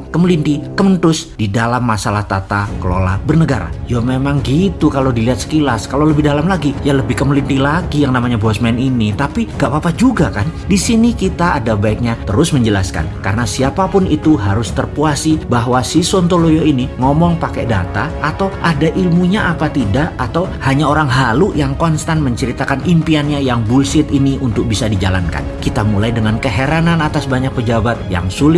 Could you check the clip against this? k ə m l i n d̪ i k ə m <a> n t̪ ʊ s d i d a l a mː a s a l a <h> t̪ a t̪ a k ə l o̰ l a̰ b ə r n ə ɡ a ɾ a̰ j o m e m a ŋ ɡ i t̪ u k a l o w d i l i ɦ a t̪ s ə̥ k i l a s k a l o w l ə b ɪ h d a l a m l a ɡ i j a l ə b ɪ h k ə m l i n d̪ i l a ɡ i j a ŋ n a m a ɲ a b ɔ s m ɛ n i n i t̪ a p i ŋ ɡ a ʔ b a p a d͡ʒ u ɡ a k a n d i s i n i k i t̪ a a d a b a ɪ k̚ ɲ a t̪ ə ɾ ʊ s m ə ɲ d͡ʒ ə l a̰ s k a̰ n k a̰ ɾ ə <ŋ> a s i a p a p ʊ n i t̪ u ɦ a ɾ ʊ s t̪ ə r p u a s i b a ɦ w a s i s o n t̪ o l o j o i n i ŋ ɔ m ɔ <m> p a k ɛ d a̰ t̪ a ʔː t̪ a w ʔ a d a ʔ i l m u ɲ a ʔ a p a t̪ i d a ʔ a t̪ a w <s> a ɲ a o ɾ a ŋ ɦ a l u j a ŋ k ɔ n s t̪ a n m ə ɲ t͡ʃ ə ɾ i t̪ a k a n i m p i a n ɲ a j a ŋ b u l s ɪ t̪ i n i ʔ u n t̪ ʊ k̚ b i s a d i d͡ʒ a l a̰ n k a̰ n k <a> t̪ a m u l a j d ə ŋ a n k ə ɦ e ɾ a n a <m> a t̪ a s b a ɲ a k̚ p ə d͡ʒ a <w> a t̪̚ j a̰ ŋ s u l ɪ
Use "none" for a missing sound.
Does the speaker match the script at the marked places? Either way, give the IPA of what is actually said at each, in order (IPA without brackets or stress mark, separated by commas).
ə, h, n, ŋ, h, i, n, b